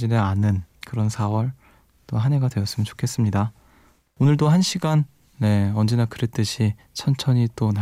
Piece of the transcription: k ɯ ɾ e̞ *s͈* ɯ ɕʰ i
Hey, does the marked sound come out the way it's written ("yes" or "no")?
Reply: no